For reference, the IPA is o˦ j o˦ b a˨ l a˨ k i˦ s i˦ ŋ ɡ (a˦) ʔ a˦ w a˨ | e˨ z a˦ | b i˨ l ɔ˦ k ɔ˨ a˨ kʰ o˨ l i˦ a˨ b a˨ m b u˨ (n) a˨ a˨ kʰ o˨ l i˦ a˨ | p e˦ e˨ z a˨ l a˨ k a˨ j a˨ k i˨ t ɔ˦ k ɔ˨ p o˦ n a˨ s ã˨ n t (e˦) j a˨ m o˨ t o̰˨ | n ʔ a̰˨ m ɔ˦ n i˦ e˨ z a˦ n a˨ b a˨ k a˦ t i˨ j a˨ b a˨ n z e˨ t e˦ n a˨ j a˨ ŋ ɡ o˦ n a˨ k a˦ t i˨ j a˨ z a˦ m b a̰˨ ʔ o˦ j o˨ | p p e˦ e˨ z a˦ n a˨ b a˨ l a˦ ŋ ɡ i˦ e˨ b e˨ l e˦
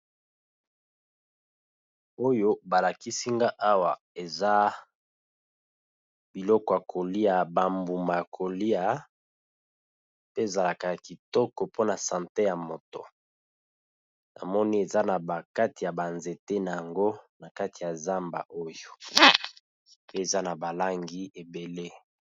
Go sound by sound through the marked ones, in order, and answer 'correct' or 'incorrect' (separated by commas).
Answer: correct, incorrect, correct